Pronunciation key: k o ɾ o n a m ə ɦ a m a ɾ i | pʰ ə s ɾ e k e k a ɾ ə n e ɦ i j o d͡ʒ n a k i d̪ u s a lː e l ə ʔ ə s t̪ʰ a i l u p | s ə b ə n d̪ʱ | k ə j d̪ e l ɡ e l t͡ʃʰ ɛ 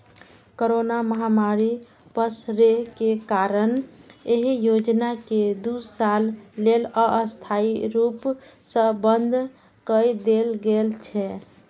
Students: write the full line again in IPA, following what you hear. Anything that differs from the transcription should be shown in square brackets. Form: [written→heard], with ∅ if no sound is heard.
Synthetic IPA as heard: k o ɾ o n a m ə ɦ a m a ɾ i | [pʰ→p] ə s ɾ e k e k a ɾ ə n e ɦ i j o d͡ʒ n a k [i→e] d̪ u s a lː e l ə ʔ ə s t̪ʰ a i [l→ɾ] u p | s ə b ə n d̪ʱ | k ə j d̪ e l ɡ e l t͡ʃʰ ɛ